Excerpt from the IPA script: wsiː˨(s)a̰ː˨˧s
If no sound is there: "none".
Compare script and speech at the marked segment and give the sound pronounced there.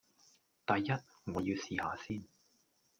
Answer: h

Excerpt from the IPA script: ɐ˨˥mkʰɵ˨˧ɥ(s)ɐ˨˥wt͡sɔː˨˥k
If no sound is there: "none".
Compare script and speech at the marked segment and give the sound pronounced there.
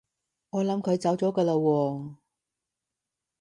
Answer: t͡s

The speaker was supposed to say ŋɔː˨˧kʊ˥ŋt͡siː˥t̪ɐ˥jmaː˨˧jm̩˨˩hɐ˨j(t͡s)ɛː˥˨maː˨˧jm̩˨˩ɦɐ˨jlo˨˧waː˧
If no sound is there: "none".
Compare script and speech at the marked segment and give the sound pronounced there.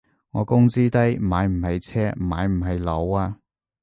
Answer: t͡sʰ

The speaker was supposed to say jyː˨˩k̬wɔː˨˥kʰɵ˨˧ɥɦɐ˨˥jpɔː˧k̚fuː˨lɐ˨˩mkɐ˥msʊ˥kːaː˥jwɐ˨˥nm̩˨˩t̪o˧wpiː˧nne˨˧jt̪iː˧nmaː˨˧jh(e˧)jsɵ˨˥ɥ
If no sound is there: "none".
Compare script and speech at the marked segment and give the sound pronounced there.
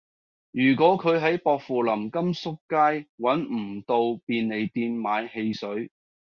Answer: e˧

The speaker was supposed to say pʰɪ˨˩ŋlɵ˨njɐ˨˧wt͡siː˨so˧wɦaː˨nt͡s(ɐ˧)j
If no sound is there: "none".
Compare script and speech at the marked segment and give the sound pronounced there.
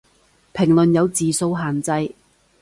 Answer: ɐ˧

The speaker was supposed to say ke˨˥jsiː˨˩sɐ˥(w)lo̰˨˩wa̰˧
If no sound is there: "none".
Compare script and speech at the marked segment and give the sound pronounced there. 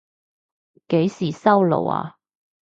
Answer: w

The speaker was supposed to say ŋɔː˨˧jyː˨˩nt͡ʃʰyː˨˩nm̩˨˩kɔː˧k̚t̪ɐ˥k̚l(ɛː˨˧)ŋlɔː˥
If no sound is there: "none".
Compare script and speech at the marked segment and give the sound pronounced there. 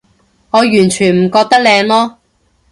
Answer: ɛː˨˧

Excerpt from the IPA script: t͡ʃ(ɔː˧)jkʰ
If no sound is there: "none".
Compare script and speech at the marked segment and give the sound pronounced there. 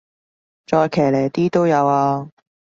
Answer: ɔː˧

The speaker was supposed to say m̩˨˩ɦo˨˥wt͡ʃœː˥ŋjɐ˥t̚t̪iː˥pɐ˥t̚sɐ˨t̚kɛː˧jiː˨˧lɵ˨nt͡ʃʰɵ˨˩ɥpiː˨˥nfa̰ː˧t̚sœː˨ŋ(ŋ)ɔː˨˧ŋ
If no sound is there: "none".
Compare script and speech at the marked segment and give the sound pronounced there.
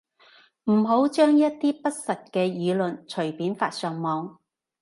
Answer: m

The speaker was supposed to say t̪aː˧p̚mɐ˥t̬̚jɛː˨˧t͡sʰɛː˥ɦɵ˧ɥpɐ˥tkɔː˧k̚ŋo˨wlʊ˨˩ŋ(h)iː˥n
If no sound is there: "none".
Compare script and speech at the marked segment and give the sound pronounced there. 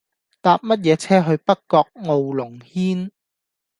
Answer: h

